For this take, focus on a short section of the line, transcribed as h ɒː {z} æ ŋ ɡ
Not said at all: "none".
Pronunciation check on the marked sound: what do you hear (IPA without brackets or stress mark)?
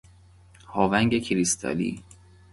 v